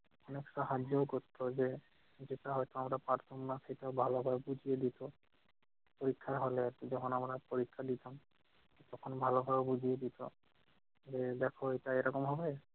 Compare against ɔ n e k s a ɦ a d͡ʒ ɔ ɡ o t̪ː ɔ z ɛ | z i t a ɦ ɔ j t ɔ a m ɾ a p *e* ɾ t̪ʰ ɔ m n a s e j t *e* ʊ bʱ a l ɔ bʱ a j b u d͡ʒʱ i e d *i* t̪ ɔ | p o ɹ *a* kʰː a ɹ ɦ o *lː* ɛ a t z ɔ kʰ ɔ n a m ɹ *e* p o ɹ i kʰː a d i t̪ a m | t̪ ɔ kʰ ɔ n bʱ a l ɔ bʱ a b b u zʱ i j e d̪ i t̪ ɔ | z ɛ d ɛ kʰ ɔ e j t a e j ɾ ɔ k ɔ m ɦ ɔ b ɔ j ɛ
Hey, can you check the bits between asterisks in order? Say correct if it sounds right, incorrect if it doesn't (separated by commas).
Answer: incorrect, incorrect, correct, incorrect, incorrect, incorrect